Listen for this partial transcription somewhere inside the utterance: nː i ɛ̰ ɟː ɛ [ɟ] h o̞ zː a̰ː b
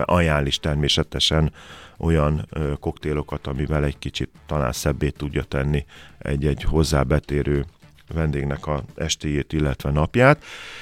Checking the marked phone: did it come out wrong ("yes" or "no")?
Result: no